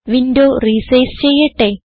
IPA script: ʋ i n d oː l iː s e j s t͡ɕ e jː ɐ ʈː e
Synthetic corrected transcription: ʋ i n d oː r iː s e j s t͡ɕ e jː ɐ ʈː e

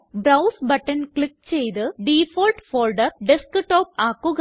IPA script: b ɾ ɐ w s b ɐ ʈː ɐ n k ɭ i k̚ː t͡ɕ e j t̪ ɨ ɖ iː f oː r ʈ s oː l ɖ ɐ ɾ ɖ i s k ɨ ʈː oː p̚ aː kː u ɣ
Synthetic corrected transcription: b ɾ ɐ w s b ɐ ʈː ɐ n k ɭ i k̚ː t͡ɕ e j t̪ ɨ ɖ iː f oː l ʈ f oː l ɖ ɐ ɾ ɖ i s k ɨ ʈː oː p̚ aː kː u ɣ

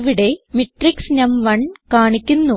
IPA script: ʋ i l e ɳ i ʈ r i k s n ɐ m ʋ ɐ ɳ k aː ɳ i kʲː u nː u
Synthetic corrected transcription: ʋ i ɽ e m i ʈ r i k s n ɐ m ʋ ɐ ɳ k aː ɳ i kʲː u nː u

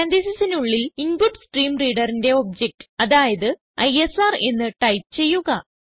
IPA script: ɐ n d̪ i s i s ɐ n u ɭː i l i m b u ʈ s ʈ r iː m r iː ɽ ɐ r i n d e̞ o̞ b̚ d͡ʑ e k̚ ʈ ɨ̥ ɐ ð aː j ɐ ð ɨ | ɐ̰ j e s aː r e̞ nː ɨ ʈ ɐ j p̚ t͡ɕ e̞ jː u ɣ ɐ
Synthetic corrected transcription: ɐ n d̪ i s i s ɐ n u ɭː i l i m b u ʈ s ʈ r iː m r iː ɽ ɐ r i n d e̞ o̞ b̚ d͡ʑ e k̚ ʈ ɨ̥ ɐ ð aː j ɐ ð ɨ | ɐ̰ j e s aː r e̞ nː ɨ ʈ ɐ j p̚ t͡ɕ e̞ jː u ɣ ɐ

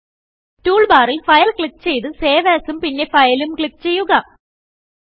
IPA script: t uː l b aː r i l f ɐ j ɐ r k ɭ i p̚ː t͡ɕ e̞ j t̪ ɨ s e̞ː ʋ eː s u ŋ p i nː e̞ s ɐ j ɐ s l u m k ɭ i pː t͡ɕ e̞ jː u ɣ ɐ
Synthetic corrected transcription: t uː ɭ b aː r i l f ɐ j ɐ l k ɭ i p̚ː t͡ɕ e̞ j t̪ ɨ s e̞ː ʋ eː s u m p i nː e̞ f ɐ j ɐ l u m k ɭ i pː t͡ɕ e̞ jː u ɣ ɐ

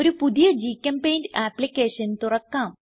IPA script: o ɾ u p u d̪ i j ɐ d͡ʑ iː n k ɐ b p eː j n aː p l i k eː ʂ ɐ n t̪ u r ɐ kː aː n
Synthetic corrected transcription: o ɾ u p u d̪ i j ɐ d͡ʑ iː k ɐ m p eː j n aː p l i k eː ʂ ɐ n t̪ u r ɐ kː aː m

